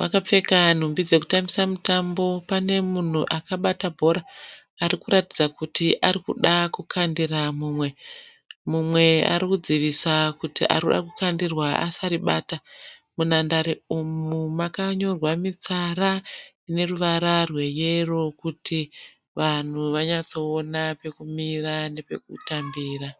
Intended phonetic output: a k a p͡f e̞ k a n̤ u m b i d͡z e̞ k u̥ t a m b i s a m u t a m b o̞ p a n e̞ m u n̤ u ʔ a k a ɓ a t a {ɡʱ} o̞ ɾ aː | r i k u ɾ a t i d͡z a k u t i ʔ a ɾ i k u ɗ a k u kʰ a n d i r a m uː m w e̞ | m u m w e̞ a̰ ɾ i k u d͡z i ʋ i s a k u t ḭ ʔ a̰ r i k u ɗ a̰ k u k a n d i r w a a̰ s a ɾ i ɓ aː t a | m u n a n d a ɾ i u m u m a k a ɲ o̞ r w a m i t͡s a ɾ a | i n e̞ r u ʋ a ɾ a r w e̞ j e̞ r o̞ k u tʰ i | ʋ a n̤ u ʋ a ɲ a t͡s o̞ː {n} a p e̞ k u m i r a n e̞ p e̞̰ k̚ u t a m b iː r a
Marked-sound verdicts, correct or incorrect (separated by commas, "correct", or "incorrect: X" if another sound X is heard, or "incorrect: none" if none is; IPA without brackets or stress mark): incorrect: bʱ, correct